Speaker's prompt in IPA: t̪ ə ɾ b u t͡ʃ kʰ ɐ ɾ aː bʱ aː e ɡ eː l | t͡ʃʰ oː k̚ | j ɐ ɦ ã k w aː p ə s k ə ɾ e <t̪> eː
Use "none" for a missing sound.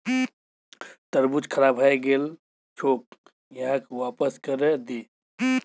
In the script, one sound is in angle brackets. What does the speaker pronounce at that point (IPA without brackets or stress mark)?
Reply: d̪